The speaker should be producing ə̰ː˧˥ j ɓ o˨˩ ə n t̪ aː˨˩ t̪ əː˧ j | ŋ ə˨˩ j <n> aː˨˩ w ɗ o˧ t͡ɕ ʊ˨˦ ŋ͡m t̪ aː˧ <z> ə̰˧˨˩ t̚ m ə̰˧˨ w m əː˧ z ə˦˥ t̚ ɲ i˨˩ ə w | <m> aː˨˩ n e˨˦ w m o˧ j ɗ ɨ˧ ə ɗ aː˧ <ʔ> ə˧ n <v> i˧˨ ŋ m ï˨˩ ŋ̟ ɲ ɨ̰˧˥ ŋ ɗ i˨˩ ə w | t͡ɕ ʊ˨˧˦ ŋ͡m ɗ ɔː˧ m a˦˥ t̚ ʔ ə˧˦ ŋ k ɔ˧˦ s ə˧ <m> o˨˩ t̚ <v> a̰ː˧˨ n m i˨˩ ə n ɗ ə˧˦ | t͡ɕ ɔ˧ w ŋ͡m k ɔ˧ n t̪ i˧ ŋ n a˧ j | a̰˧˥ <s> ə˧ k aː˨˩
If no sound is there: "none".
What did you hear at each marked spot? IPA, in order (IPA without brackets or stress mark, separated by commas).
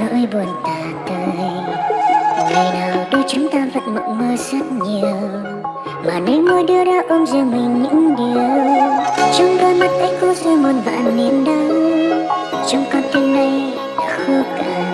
n, v, m, ʔ, z, m, v, x